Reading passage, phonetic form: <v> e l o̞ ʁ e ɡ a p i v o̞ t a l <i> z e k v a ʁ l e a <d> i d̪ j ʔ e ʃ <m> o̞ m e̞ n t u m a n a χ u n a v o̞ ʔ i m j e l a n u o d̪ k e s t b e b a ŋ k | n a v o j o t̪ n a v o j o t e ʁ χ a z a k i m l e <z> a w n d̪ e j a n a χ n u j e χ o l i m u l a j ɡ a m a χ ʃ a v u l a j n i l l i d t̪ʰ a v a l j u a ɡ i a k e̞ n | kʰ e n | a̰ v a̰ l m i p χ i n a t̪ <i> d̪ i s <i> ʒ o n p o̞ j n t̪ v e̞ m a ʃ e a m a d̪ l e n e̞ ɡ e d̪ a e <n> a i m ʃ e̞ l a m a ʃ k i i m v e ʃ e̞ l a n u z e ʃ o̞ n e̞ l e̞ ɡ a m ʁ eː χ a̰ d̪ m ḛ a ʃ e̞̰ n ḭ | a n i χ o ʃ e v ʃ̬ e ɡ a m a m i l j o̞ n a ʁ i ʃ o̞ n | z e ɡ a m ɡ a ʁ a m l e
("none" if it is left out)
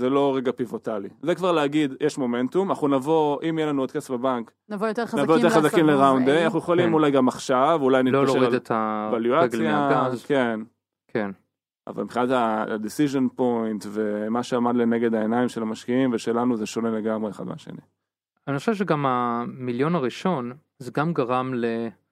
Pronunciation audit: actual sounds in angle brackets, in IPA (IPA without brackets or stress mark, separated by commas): z, i, ɡ, m, ʁ, a, i, n